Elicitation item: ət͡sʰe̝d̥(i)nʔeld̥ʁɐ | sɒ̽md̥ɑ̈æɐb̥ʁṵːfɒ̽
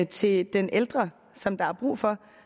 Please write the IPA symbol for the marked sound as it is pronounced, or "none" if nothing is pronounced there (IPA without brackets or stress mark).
e